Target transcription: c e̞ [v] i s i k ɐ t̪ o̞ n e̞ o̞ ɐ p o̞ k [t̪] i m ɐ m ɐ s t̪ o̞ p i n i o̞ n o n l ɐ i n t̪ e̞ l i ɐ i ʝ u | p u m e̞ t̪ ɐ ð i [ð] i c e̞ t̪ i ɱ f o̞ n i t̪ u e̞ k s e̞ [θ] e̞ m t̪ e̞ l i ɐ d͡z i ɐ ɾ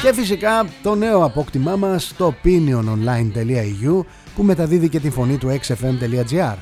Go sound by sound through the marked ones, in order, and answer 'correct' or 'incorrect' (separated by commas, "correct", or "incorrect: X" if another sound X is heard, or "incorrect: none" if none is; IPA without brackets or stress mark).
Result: incorrect: f, correct, correct, incorrect: f